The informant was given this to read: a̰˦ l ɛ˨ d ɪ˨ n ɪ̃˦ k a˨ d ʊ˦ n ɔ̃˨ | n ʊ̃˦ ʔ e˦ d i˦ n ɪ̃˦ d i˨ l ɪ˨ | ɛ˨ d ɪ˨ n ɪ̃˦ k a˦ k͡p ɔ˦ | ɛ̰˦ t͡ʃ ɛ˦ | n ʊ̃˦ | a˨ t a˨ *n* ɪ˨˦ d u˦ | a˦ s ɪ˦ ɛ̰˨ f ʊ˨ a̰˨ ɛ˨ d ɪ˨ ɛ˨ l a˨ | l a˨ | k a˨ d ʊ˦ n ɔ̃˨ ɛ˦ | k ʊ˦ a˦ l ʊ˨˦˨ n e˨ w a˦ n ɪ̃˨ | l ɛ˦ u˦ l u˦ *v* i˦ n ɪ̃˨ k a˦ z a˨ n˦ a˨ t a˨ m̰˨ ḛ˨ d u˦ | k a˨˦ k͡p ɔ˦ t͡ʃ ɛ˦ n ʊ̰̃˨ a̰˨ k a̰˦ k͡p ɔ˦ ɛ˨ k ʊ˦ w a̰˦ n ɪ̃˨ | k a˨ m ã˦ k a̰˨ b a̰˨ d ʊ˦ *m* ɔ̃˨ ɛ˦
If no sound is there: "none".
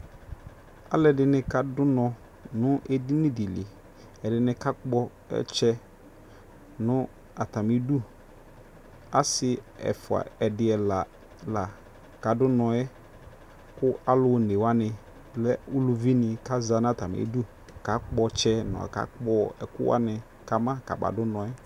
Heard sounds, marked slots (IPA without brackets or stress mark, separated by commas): m, v, n